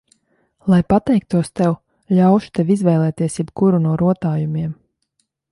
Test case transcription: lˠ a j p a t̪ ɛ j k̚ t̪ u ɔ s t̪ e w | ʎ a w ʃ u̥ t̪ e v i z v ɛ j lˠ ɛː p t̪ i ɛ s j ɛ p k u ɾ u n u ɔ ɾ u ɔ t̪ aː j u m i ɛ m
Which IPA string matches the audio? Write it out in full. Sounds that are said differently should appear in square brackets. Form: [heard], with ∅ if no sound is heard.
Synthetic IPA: lˠ a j p a t̪ ɛ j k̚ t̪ u ɔ s t̪ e w | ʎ a w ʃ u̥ t̪ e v i z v ɛ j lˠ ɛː [∅] t̪ i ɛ s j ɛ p k u ɾ u n u ɔ ɾ u ɔ t̪ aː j u m i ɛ m